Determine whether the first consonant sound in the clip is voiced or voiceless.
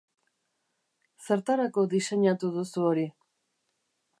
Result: voiceless